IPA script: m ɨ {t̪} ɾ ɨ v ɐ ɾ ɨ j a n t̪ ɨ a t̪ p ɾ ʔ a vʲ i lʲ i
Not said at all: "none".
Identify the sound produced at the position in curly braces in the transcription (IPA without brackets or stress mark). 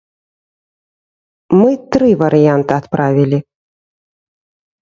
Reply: t̪